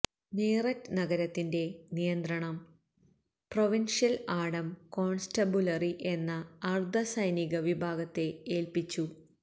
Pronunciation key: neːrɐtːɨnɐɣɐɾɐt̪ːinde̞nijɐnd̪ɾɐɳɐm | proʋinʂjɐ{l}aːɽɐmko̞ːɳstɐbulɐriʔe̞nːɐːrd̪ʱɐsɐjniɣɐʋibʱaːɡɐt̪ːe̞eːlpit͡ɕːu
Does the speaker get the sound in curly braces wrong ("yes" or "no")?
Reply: no